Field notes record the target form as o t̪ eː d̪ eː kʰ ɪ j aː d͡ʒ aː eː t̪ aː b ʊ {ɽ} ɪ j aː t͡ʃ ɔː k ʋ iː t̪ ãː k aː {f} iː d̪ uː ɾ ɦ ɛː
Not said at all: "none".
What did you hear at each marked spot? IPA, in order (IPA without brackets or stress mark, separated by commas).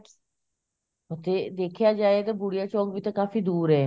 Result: ɽ, f